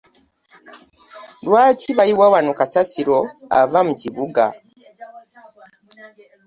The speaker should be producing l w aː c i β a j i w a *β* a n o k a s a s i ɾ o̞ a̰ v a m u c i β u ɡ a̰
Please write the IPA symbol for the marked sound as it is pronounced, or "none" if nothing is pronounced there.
w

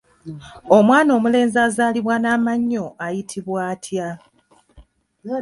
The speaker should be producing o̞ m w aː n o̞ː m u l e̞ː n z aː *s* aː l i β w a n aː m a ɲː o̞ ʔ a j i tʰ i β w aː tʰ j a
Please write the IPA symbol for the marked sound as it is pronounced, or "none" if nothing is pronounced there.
z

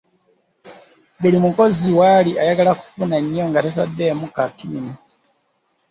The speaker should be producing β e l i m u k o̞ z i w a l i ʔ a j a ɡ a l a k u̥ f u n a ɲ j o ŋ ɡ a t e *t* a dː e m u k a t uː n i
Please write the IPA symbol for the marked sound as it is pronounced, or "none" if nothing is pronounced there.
t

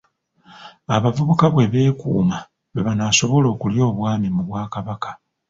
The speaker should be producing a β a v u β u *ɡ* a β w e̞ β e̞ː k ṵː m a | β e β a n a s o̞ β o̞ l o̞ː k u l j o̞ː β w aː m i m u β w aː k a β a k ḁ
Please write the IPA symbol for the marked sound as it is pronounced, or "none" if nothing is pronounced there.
k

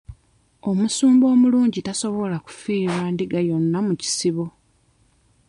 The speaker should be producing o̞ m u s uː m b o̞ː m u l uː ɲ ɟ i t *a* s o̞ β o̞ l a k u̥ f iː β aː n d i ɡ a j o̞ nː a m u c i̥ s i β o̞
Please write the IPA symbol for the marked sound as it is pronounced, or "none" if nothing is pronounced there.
a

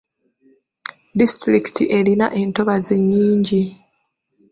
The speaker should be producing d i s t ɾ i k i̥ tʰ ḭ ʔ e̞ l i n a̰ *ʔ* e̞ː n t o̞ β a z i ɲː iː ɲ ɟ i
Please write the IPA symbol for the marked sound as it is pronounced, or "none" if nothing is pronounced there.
ʔ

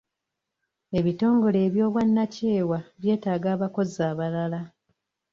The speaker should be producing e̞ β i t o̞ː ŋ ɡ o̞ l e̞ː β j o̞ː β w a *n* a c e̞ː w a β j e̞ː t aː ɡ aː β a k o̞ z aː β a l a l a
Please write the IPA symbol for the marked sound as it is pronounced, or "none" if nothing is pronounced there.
nː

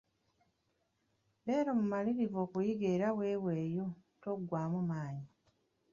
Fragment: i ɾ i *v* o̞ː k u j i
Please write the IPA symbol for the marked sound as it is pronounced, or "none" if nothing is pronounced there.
v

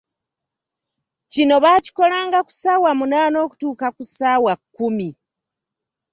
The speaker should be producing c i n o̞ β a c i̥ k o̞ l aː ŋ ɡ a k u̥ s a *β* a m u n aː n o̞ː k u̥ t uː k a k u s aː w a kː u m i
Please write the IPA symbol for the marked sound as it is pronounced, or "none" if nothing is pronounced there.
w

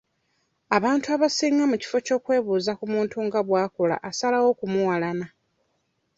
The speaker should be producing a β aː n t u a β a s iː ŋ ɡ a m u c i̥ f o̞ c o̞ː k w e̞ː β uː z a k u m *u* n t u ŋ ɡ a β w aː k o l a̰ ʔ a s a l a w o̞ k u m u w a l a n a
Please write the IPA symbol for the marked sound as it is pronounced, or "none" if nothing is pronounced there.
uː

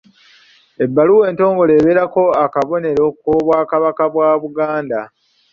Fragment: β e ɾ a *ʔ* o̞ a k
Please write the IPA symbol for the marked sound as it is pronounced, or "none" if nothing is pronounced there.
k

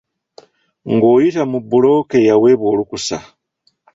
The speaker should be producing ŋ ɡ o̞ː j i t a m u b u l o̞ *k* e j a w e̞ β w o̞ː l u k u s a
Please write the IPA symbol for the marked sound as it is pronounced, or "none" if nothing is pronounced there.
k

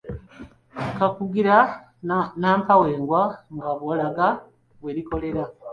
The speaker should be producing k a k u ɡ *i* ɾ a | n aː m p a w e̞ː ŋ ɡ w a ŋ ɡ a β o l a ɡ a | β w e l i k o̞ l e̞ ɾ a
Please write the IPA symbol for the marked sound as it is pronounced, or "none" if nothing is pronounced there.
i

